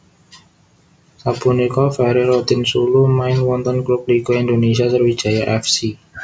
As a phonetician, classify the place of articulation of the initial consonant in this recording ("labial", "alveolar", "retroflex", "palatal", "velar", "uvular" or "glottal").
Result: alveolar